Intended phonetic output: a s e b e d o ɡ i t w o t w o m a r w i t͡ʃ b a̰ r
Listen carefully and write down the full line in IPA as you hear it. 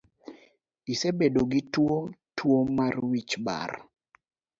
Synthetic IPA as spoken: i s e b e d o ɡ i t w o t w o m a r w i t͡ʃ b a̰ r